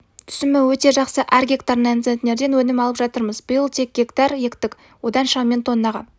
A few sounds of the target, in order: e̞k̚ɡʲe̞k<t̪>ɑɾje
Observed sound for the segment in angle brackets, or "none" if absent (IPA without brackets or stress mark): t̪